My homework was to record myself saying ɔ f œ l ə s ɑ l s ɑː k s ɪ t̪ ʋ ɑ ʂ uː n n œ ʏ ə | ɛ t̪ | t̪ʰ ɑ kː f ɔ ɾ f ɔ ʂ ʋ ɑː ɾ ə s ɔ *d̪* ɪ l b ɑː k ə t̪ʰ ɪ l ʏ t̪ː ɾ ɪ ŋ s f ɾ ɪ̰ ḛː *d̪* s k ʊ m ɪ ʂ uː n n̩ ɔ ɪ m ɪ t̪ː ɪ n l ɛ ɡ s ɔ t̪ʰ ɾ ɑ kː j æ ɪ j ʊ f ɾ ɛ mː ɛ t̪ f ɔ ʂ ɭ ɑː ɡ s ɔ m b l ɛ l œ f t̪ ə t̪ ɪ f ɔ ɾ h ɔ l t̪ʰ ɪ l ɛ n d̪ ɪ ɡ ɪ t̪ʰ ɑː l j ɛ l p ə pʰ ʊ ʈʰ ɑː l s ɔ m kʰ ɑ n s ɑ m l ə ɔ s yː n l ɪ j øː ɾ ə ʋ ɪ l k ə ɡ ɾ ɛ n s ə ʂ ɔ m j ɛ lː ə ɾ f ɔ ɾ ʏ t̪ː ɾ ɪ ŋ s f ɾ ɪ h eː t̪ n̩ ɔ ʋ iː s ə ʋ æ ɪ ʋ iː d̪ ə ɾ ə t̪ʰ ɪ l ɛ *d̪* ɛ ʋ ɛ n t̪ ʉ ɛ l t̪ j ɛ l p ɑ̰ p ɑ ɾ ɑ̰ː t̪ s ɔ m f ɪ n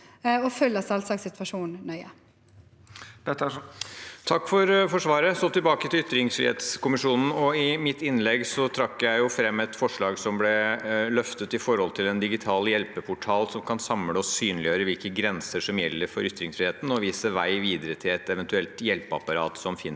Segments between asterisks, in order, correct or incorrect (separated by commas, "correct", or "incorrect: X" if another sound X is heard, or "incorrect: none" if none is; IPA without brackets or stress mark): incorrect: t̪, incorrect: t̪, incorrect: t̪